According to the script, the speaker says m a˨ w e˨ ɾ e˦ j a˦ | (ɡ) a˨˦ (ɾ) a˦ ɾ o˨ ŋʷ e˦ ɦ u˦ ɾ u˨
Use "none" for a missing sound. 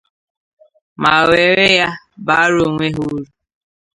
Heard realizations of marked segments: b, none

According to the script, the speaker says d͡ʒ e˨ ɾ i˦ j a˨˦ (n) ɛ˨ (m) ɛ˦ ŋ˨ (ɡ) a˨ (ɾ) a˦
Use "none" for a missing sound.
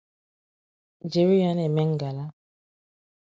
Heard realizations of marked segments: n, m, ɡ, l

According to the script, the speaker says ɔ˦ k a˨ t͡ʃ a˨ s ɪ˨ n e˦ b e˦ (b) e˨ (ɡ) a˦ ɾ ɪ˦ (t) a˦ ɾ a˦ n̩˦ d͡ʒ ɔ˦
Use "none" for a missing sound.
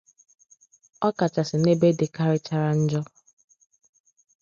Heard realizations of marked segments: d, k, t͡ʃ

